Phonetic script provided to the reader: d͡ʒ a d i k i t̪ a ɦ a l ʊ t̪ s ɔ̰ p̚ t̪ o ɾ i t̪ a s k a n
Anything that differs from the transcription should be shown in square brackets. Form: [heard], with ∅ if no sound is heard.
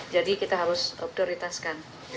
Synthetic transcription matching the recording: d͡ʒ a d i k i t̪ a ɦ a [ɾ] ʊ [∅] s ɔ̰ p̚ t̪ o ɾ i t̪ a s k a n

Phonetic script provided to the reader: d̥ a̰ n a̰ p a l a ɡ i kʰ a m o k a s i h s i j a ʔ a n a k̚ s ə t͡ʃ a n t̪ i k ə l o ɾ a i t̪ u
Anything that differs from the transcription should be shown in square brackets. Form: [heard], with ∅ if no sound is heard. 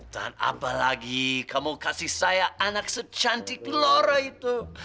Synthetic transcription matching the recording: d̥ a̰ n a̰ p a l a ɡ i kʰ a m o k a s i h s [a] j a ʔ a n a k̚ s ə t͡ʃ a n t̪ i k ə l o ɾ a i t̪ u

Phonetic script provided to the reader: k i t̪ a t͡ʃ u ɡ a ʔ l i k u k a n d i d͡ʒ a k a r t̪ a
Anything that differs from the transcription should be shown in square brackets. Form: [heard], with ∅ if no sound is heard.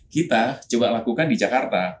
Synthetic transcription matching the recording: k i t̪ a t͡ʃ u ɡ a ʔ l [a] k u k a n d i d͡ʒ a k a r t̪ a

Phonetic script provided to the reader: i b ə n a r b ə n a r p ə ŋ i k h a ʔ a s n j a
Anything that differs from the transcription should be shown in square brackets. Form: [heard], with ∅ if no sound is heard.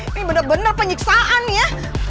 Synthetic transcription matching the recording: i b ə n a r b ə n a r p ə [ɲ] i k [s] a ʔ a [∅] n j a

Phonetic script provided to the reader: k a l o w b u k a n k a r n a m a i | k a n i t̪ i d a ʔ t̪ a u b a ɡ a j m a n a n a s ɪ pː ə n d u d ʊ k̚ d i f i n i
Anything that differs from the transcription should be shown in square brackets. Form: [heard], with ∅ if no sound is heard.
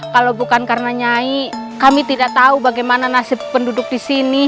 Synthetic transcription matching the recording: k a l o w b u k a n k a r n a [ɲ] a i | k a [m] i t̪ i d a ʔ t̪ a u b a ɡ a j m a n a n a s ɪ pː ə n d u d ʊ k̚ d i [s] i n i

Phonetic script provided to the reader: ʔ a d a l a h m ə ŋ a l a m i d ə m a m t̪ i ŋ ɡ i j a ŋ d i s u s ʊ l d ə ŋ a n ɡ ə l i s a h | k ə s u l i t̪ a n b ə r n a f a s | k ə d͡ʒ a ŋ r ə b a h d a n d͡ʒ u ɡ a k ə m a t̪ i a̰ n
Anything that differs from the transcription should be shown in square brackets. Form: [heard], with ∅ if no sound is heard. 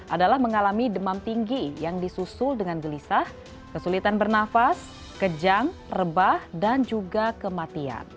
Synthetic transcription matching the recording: ʔ a d a l a h m ə ŋ a l a m i d ə m a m t̪ i ŋ ɡ i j a ŋ d i s u s ʊ l d ə ŋ a n ɡ ə l i s a h | k ə s u l i t̪ a n b ə r n a f a s | k ə d͡ʒ a ŋ r ə b a h d a n d͡ʒ u ɡ a k ə m a t̪ i a̰ n

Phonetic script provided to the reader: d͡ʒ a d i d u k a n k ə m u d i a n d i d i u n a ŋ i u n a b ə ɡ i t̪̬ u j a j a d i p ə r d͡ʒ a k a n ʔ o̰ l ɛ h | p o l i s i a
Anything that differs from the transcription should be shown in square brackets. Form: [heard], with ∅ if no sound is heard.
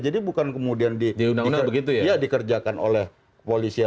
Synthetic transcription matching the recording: d͡ʒ a d i [b] u k a n k ə m u d i a n d i d i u n a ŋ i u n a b ə ɡ i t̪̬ u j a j a d i [k] ə r d͡ʒ a k a n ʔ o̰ l ɛ h | p o l i s i a

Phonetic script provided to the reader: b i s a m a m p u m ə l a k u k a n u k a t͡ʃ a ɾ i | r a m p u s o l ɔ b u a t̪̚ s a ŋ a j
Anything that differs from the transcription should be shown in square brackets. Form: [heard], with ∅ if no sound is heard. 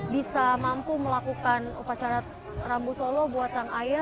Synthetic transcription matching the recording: b i s a m a m p u m ə l a k u k a n u [p] a t͡ʃ a ɾ [a] | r a m [b] u s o l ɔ b u a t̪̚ s a ŋ a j

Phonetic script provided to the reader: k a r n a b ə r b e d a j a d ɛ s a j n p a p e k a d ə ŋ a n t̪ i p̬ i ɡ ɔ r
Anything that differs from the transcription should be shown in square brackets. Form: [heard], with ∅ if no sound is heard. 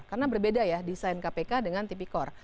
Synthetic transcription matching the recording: k a r n a b ə r b e d a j a d [i] s a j n [k] a p e k a d ə ŋ a n t̪ i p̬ i [k] ɔ r

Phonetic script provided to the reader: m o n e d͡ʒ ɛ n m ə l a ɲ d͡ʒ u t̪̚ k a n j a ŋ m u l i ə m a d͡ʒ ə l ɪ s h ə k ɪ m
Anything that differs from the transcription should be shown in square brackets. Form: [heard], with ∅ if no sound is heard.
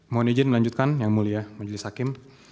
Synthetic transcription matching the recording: m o n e d͡ʒ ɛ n m ə l a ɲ d͡ʒ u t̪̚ k a n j a ŋ m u l i [a] m a d͡ʒ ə l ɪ s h [a] k ɪ m

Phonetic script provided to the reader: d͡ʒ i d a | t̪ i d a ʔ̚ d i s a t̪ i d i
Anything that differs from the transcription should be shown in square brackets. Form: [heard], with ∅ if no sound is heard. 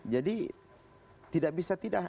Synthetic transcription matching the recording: d͡ʒ [a] d [i] | t̪ i d a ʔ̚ [b] i s a t̪ i d [a]

